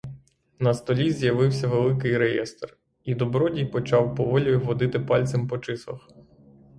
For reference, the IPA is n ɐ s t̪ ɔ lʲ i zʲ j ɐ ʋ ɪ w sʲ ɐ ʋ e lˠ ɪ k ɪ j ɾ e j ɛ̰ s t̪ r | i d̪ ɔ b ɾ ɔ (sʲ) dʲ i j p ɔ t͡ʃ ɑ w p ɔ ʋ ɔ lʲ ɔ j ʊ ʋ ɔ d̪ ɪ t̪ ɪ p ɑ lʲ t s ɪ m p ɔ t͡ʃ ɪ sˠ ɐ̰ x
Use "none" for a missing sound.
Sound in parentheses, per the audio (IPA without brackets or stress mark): none